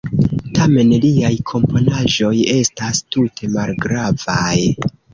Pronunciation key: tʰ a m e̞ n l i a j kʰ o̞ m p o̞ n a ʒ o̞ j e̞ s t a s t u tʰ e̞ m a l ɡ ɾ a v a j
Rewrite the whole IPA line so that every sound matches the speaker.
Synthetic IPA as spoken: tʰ a m e̞ n l i a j kʰ o̞ m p o̞ n a ʒ o̞ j e̞ s t a s t u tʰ e̞ m a l ɡ ɾ a v a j